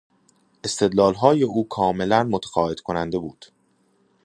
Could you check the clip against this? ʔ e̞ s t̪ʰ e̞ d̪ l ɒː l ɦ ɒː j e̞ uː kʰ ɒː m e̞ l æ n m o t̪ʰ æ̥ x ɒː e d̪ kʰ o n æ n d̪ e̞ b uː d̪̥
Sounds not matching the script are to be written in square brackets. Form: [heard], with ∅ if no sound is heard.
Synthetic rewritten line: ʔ e̞ s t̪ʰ e̞ d̪ l ɒː l ɦ ɒː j e̞ uː kʰ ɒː m e̞ l æ n m o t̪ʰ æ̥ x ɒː e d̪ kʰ o n æ n d̪ e̞ b uː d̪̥

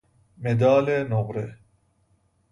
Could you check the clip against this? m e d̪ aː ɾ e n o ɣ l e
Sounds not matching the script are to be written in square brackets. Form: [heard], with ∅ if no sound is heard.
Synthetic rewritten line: m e d̪ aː [l] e n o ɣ [ɾ] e

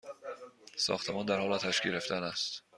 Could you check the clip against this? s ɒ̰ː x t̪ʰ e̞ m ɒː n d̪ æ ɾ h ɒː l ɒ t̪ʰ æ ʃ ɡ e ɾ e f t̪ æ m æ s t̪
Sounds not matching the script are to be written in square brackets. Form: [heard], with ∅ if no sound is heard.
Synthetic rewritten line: s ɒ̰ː x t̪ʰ e̞ m ɒː n d̪ æ ɾ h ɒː l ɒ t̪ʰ æ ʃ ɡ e ɾ e f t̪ æ [n] æ s t̪

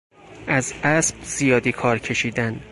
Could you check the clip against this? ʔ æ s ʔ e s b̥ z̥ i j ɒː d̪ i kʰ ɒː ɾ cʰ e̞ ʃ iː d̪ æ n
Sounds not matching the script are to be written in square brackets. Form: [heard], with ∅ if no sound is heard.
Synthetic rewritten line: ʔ æ [z] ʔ [æ] s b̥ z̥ i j ɒː d̪ i kʰ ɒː ɾ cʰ e̞ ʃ iː d̪ æ n

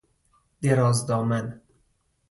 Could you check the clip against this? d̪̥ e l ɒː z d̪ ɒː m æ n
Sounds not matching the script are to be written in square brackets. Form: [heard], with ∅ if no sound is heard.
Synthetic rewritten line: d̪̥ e [ɾ] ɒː z d̪ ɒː m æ n

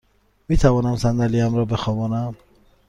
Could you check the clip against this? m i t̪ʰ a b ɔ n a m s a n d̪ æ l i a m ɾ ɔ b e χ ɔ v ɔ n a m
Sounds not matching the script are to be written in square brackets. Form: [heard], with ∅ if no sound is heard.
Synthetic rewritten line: m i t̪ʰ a [v] ɔ n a m s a n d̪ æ l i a m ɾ ɔ b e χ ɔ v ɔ n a m

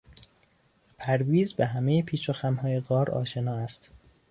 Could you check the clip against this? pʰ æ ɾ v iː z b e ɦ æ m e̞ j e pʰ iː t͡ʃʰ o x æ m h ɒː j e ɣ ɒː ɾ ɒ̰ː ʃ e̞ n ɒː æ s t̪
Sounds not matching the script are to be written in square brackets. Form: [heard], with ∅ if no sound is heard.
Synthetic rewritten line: pʰ æ ɾ v iː z b e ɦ æ m e̞ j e pʰ iː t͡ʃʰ o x æ m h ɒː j e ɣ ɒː ɾ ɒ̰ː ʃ e̞ n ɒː æ s t̪

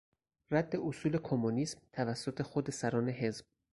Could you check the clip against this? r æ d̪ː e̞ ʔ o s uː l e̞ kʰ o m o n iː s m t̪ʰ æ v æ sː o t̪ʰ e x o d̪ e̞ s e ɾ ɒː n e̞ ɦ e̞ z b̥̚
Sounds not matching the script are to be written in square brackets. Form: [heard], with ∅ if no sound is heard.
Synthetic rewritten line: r æ d̪ː e̞ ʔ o s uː l e̞ kʰ o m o n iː s m t̪ʰ æ v æ sː o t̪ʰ e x o d̪ e̞ s [æ] ɾ ɒː n e̞ ɦ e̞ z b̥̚

